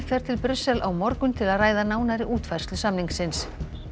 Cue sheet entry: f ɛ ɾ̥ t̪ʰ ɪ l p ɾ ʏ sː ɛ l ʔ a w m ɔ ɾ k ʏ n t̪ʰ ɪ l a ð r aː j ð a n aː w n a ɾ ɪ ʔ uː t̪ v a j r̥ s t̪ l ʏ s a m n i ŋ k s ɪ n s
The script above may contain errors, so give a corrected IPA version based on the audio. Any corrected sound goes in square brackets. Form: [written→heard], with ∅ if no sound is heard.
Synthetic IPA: f ɛ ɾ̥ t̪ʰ ɪ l p ɾ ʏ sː ɛ l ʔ a w m ɔ ɾ k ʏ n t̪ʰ ɪ l a ð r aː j ð a n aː w n a ɾ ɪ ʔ uː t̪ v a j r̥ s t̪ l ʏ s a m n i ŋ k s ɪ n s

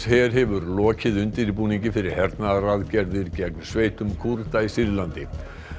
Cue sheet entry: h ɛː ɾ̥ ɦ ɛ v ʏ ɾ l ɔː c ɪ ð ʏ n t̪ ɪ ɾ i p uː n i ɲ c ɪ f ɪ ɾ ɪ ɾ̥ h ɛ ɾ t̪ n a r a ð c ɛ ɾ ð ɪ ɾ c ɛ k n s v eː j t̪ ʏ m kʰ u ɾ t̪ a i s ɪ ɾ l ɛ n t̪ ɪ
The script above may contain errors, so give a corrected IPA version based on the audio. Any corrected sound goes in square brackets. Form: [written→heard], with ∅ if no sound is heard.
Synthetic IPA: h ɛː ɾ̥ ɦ ɛ v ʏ ɾ l ɔː c ɪ ð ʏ n t̪ ɪ ɾ i p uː n i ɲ c ɪ f ɪ ɾ ɪ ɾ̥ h ɛ ɾ t̪ n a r a ð c ɛ ɾ ð ɪ ɾ c ɛ k n s v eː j t̪ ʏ m kʰ u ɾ t̪ a i s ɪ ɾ l [ɛ→a] n t̪ ɪ

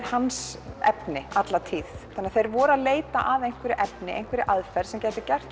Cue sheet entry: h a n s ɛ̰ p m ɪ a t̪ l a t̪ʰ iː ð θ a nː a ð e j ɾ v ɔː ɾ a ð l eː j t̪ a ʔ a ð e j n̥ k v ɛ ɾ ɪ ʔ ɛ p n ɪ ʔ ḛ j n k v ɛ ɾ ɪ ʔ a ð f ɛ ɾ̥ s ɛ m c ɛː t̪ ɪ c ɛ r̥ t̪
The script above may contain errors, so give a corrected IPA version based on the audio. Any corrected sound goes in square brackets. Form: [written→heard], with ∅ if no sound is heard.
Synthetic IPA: h a n s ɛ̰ p [m→n] ɪ a t̪ l a t̪ʰ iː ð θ a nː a [ð→θ] e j ɾ v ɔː ɾ a ð l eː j t̪ a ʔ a ð e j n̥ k v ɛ ɾ ɪ ʔ ɛ p n ɪ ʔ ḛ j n k v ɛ ɾ ɪ ʔ a ð f ɛ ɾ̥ s ɛ m c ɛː t̪ ɪ c ɛ r̥ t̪

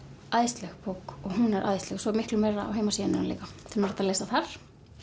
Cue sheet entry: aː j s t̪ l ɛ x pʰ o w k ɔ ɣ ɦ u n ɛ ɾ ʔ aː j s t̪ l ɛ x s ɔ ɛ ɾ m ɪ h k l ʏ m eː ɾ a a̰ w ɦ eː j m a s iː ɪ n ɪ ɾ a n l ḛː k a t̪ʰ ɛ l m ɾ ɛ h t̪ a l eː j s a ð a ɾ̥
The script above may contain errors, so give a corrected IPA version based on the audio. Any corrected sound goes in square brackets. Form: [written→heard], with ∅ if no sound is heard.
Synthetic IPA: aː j s t̪ l ɛ x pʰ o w k ɔ ɣ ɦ u n ɛ ɾ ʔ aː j s t̪ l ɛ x s ɔ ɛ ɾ m ɪ h k l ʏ m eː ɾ a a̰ w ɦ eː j m a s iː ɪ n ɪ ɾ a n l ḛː k a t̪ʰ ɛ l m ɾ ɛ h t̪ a l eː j s a [ð→θ] a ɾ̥

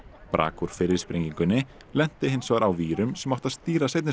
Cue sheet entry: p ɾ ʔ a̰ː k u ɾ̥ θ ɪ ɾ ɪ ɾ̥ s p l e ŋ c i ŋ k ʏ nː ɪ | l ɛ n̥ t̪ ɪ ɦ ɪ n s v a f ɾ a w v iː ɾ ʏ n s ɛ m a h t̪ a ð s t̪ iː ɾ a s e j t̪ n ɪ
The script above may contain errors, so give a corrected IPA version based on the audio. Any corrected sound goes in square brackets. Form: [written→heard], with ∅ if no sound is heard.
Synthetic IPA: p ɾ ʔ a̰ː k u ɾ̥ [θ→f] ɪ ɾ ɪ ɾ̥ s p [l→ɾ] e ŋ c i ŋ k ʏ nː ɪ | l ɛ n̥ t̪ ɪ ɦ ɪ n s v a [f→∅] ɾ a w v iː ɾ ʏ [n→m] s ɛ m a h t̪ a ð s t̪ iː ɾ a s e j t̪ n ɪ

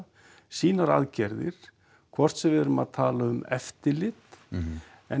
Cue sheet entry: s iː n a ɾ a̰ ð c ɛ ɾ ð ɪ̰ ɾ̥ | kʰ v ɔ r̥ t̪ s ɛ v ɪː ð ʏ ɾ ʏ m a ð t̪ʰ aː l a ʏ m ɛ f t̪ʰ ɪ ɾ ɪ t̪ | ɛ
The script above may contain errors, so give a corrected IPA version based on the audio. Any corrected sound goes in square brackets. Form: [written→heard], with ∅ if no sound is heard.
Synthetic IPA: s iː n a ɾ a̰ ð c ɛ ɾ ð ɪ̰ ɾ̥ | kʰ v ɔ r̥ t̪ s ɛ v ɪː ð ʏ ɾ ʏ m a ð t̪ʰ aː l a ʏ m ɛ f [t̪ʰ→t̪] ɪ [ɾ→l] ɪ t̪ | ɛ

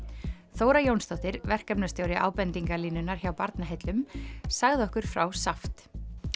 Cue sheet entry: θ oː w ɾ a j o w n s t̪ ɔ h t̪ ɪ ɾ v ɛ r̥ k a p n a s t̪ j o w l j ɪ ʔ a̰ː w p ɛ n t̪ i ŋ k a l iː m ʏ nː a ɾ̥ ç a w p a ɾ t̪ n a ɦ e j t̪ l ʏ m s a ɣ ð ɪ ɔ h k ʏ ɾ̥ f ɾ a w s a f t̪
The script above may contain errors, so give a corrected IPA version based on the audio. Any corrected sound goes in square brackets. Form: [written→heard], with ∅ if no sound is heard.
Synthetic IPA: θ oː w ɾ a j o w n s t̪ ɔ h t̪ ɪ ɾ v ɛ r̥ k a p n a s t̪ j o w [l→ɾ] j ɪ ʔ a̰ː w p ɛ n t̪ i ŋ k a l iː [m→n] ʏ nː a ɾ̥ ç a w p a ɾ t̪ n a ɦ e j t̪ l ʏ m s a ɣ ð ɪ ɔ h k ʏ ɾ̥ f ɾ a w s a f t̪

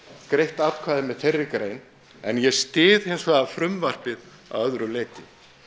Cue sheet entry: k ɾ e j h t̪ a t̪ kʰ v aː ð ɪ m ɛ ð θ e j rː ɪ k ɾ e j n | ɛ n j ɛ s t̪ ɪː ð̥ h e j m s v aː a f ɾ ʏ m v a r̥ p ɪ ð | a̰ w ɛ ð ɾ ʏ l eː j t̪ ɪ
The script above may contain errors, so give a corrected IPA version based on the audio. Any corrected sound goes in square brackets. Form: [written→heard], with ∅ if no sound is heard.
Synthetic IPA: k ɾ e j h t̪ a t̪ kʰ v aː ð ɪ m ɛ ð θ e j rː ɪ k ɾ e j n | ɛ n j ɛ s t̪ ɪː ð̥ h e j [m→n] s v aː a f ɾ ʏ m v a r̥ p ɪ ð | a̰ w [ɛ→œ] ð ɾ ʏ l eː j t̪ ɪ

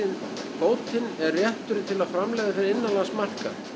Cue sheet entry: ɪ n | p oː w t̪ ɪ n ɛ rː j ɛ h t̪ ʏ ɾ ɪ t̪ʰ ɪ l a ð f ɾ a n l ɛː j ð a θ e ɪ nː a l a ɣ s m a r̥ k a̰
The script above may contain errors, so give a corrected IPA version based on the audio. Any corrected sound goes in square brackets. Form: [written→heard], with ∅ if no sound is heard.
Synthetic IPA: ɪ n | p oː w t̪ ɪ n ɛ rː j ɛ h t̪ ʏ ɾ ɪ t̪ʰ ɪ l a ð f ɾ a [n→m] l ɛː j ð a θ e ɪ nː a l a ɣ s m a r̥ k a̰

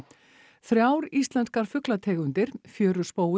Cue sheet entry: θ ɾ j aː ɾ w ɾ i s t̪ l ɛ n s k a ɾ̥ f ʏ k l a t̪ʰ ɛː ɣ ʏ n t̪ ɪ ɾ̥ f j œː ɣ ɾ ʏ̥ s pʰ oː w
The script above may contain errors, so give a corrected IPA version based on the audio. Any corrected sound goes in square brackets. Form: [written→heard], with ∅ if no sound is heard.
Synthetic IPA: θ ɾ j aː [ɾ→∅] w ɾ i s t̪ l ɛ n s k a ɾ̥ f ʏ k l a t̪ʰ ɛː ɣ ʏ n t̪ ɪ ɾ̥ f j œː [ɣ→∅] ɾ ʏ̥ s [pʰ→p] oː w

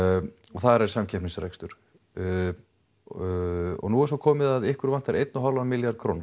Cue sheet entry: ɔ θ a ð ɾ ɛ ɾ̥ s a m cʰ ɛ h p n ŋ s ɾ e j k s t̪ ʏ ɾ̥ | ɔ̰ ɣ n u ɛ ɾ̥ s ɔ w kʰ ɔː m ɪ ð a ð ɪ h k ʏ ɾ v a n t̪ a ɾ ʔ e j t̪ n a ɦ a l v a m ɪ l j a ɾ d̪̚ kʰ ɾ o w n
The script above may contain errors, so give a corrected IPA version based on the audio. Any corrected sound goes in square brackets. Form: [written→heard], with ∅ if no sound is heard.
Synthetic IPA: ɔ θ a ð ɾ ɛ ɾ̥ s a m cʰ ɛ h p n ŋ s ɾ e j k s t̪ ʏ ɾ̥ | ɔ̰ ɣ n u ɛ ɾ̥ s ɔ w kʰ ɔː m ɪ ð a ð ɪ h k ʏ ɾ v a n t̪ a ɾ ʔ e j t̪ n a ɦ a l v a m ɪ l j a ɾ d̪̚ kʰ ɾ o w n

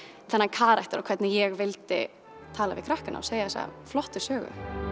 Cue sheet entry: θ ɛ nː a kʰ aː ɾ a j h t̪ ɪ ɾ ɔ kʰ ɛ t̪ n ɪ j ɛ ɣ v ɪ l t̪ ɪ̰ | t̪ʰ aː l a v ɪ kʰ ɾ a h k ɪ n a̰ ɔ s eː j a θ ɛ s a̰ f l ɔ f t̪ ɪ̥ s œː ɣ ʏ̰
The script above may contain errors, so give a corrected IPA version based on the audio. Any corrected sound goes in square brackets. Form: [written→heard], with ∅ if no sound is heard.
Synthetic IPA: θ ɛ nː a kʰ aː ɾ a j h t̪ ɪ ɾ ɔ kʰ ɛ t̪ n ɪ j ɛ ɣ v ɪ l t̪ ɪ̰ | t̪ʰ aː l a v ɪ kʰ ɾ a h k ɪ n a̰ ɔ s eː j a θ ɛ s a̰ f l ɔ [f→h] t̪ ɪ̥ s œː ɣ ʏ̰

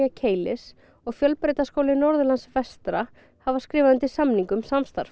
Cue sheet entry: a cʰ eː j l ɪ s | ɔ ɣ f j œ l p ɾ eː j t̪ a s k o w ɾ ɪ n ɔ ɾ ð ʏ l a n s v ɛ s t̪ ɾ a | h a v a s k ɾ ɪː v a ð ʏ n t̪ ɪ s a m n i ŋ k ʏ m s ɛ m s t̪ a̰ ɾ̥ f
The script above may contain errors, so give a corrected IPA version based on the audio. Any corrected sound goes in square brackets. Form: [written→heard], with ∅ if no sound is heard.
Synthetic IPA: a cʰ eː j l ɪ s | ɔ ɣ f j œ l p ɾ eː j t̪ a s k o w [ɾ→l] ɪ n ɔ ɾ ð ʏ l a n s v ɛ s t̪ ɾ a | h a v a s k ɾ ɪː v a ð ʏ n t̪ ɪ s a m n i ŋ k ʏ m s [ɛ→a] m s t̪ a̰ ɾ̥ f

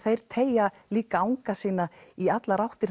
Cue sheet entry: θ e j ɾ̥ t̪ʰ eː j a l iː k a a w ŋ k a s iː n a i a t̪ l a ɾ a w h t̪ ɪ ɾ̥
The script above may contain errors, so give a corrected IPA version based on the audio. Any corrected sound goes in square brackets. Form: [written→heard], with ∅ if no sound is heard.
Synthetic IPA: θ e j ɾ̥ t̪ʰ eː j a l iː k a a w ŋ k a s iː n a i a t̪ l a ɾ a w h t̪ ɪ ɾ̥

